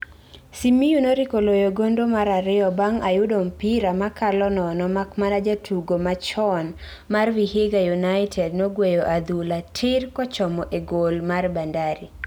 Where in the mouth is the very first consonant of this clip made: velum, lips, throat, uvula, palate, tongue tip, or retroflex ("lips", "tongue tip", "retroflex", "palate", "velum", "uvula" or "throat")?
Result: tongue tip